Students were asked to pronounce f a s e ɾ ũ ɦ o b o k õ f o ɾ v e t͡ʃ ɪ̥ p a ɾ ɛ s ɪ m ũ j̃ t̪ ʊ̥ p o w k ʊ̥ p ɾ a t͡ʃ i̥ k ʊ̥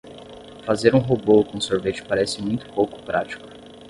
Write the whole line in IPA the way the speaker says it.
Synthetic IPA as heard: f a z e ɾ ũ ɦ o b o k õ s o ɾ v e t͡ʃ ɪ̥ p a ɾ ɛ s ɪ m ũ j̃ t̪ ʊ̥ p o w k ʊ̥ p ɾ a t͡ʃ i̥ k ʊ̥